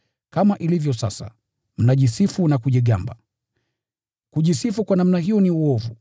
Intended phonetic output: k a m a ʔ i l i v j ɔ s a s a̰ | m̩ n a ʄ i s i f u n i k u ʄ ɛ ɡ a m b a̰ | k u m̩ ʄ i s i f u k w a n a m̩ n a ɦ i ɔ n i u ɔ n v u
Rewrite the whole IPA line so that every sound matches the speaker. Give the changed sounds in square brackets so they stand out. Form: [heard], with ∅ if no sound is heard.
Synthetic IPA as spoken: k a m a ʔ i l i v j ɔ s a s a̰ | m̩ n a ʄ i s i f u n [a] k u ʄ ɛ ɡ a m b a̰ | k u [∅] ʄ i s i f u k w a n a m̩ n a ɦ i ɔ n i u ɔ [∅] v u

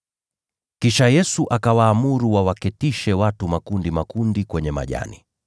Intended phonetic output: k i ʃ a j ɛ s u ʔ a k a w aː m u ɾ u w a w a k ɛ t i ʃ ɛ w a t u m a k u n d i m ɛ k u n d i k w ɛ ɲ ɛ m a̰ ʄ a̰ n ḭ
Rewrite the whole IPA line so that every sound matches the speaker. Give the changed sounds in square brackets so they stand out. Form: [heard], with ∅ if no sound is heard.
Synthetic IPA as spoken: k i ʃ a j ɛ s u ʔ a k a w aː m u ɾ u w a w a k ɛ t i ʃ ɛ w a t u m a k u n d i m [a] k u n d i k w ɛ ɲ ɛ m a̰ ʄ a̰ n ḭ

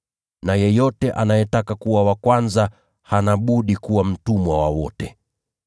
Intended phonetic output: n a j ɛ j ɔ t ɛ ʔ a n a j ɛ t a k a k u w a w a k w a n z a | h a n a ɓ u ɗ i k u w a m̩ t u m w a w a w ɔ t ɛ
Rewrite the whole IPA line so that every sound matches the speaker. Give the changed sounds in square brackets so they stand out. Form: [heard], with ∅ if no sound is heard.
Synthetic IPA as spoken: n a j ɛ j ɔ t ɛ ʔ a n a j ɛ t a k a k u w a w a k w a n z a | h a n a ɓ u ɗ i k u w a m̩ t u m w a w a w ɔ t ɛ

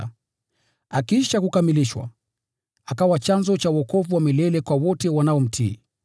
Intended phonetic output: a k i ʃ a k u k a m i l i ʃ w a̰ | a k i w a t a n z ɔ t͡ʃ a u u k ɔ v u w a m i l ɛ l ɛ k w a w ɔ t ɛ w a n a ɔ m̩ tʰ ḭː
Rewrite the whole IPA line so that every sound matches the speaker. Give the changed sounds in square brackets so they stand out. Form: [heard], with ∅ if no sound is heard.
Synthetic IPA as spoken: a k i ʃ a k u k a m i l i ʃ w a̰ | a k [a] w a [t͡ʃ] a n z ɔ t͡ʃ a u [ɔ] k ɔ v u w a m i l ɛ l ɛ k w a w ɔ t ɛ w a n a ɔ m̩ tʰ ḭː

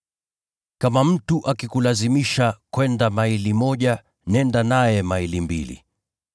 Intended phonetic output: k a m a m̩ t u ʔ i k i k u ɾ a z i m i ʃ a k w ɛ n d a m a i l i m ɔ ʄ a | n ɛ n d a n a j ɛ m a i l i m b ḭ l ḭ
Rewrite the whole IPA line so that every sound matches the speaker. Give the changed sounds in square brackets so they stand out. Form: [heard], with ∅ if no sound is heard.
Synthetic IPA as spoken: k a m a m̩ t u ʔ [a] k i k u [l] a z i m i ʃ a k w ɛ n d a m a i l i m ɔ ʄ a | n ɛ n d a n a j ɛ m a i l i m b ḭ l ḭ

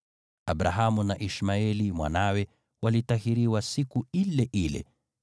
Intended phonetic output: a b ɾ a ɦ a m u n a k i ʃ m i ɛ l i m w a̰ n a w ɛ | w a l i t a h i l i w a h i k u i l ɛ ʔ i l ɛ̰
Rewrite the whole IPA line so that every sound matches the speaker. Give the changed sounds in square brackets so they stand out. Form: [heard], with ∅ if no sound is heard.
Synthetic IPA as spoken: a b ɾ a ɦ a m u n a [ʔ] i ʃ m [a] ɛ l i m w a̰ n a w ɛ | w a l i t a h i [ɾ] i w a [s] i k u i l ɛ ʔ i l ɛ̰

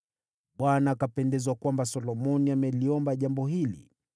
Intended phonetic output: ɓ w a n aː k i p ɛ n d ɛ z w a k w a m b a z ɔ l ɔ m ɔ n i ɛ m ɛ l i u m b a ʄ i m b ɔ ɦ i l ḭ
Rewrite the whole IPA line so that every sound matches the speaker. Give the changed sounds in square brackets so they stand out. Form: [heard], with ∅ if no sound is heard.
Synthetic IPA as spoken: ɓ w a n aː k [a] p ɛ n d ɛ z w a k w a m b a [s] ɔ l ɔ m ɔ n i [a] m ɛ l i [ɔ] m b a ʄ [a] m b ɔ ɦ i l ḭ

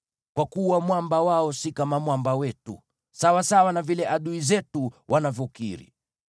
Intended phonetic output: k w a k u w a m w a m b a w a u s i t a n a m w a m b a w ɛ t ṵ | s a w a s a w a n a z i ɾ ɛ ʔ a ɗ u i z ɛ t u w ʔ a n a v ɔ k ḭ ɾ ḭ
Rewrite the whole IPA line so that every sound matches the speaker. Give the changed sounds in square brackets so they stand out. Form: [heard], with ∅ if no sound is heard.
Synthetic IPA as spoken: k w a k u w a m w a m b a w a [ɔ] s i [k] a [m] a m w a m b a w ɛ t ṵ | s a w a s a w a n a [v] i [l] ɛ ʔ a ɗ u i z ɛ t u w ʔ a n a v ɔ k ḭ ɾ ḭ

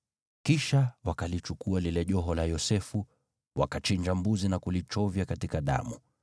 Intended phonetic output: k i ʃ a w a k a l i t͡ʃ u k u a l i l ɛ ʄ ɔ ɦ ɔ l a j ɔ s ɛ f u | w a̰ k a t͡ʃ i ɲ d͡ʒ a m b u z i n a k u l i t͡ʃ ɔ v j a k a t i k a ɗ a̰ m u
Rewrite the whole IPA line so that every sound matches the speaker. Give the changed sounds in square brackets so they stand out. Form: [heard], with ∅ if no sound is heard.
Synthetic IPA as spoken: k i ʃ a w a k a l i t͡ʃ u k u a l i l ɛ ʄ ɔ ɦ ɔ l a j ɔ s ɛ f u | w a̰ k a t͡ʃ i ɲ d͡ʒ a m b u z i n a k u l i t͡ʃ ɔ v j a k a t i k a ɗ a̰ m u

